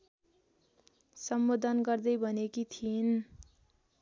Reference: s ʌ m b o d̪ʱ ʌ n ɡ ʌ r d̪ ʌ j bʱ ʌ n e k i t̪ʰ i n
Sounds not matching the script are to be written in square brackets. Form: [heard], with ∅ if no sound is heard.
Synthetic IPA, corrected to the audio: s ʌ m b o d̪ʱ ʌ n ɡ ʌ r d̪ ʌ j bʱ ʌ n e k i t̪ʰ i n